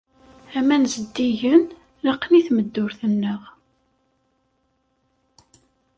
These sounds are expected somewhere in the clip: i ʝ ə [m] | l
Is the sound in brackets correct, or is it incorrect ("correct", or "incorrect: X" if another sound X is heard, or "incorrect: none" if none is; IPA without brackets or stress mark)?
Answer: incorrect: n